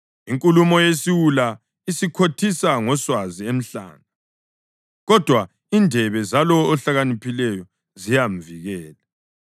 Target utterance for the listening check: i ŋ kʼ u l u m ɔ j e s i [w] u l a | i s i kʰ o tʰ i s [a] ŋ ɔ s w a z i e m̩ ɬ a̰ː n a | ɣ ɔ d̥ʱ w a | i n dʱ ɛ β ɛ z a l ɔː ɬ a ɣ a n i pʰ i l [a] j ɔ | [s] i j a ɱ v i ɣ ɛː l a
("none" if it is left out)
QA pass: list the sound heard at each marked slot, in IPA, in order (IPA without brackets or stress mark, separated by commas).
w, a, ɛ, z